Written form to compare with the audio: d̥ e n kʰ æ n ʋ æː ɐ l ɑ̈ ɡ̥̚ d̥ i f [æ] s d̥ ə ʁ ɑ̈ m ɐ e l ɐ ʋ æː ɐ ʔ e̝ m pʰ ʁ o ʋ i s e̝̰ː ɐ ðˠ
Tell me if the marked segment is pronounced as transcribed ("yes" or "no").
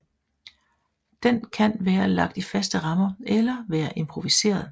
yes